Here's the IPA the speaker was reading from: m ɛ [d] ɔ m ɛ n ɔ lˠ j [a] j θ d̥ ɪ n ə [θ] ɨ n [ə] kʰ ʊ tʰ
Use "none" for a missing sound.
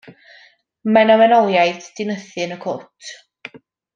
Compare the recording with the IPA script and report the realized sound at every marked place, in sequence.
n, a, θ, ə

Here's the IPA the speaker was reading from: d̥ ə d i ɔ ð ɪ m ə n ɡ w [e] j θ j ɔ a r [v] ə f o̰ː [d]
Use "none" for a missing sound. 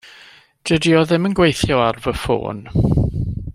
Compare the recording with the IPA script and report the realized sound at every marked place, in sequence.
e, v, n

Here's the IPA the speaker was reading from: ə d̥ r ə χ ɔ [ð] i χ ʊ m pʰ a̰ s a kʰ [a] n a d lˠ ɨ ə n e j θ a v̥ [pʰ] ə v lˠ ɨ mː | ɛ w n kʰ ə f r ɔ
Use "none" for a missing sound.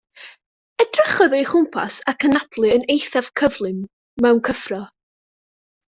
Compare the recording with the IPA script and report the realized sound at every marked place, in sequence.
ð, ə, kʰ

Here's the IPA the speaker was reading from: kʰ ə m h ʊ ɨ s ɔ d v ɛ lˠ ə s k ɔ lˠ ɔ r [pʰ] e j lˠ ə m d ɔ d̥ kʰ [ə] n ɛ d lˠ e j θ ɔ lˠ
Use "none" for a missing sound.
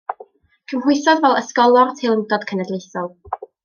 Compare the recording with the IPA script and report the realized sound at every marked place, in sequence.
tʰ, ə

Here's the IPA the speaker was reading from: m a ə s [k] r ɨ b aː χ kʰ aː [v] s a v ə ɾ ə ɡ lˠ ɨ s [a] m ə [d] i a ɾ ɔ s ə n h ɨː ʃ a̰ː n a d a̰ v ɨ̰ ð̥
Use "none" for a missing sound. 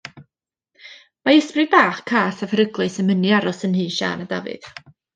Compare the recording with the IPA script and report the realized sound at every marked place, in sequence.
p, none, ə, n

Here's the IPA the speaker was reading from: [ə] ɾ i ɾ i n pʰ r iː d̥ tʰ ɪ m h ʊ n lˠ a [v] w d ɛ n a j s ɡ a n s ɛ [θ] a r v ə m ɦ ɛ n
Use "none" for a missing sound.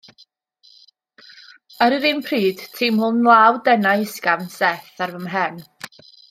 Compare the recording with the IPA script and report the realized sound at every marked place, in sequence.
ə, none, θ

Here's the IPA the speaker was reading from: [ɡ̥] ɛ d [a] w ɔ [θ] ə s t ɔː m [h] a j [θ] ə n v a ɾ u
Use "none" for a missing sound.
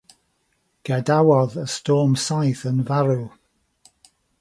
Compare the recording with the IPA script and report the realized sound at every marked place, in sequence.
ɡ̥, a, ð, s, θ

